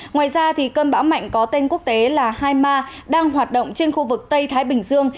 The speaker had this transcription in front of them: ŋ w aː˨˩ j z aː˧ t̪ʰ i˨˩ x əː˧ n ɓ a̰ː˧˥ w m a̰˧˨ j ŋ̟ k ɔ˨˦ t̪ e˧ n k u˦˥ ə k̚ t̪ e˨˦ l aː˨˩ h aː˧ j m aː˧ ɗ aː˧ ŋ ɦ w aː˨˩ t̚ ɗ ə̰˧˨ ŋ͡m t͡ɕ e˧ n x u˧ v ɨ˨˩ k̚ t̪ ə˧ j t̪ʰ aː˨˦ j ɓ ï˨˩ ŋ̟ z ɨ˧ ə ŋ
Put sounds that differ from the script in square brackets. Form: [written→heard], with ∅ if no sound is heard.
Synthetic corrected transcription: ŋ w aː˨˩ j z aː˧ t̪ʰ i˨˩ [x→k] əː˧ n ɓ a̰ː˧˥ w m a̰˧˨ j ŋ̟ k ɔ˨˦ t̪ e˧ n k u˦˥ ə k̚ t̪ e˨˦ l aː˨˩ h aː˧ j m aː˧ ɗ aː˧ ŋ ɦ w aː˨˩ t̚ ɗ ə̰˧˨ ŋ͡m t͡ɕ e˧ n x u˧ v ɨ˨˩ k̚ t̪ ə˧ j t̪ʰ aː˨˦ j ɓ ï˨˩ ŋ̟ z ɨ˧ ə ŋ